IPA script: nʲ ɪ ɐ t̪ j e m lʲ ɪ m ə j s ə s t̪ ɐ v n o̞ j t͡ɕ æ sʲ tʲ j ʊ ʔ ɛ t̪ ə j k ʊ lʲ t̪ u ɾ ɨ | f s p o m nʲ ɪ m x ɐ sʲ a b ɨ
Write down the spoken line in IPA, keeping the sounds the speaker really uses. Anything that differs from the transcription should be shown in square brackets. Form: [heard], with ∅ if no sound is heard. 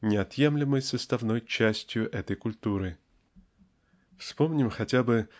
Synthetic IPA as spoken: nʲ ɪ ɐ t̪ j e m lʲ ɪ m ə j s ə s t̪ ɐ v n o̞ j t͡ɕ æ sʲ tʲ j ʊ ʔ ɛ t̪ ə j k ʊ lʲ t̪ u ɾ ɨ | f s p o m nʲ ɪ m x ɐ [tʲ] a b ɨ